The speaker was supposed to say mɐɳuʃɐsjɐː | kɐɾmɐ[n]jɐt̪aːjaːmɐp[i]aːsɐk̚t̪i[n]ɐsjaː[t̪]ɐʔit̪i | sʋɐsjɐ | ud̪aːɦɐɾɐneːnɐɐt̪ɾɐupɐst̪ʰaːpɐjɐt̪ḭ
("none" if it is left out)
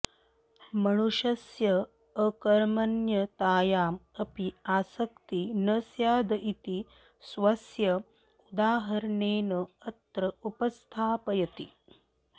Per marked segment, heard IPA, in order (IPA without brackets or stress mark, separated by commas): n, i, n, d̪